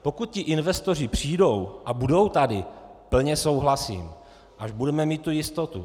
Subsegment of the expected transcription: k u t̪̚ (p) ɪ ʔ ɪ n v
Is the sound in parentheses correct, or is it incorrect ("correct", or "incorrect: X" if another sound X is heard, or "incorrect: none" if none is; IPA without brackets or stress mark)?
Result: incorrect: c